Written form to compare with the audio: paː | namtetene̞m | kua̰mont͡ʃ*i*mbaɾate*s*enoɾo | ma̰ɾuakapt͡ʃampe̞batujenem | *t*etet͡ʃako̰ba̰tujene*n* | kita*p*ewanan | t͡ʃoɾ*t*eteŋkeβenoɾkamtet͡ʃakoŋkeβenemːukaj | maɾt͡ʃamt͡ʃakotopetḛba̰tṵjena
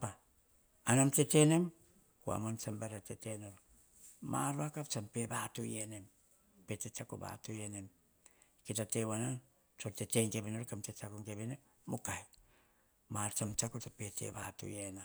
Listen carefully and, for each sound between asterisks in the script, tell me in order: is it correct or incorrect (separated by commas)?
incorrect, incorrect, incorrect, incorrect, incorrect, correct